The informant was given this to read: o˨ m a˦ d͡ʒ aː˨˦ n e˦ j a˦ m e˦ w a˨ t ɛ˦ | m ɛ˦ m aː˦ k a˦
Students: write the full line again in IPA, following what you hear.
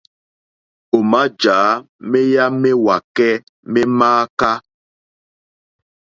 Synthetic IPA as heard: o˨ m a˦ d͡ʒ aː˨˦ m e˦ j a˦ m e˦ w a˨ k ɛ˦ | m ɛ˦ m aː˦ k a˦